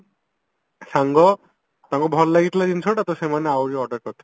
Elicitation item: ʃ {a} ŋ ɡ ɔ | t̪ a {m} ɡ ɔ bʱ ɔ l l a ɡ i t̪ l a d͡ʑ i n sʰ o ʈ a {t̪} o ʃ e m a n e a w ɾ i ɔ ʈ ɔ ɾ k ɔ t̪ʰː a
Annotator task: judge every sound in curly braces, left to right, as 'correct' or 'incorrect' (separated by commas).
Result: correct, incorrect, correct